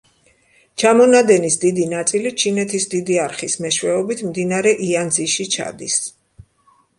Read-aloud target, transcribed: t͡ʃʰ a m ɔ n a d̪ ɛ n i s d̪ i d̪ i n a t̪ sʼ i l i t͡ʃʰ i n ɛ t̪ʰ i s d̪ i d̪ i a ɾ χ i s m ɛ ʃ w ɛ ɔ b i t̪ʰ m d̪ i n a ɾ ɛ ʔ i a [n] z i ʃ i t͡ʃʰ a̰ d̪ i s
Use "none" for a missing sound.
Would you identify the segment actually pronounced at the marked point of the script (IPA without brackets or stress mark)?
n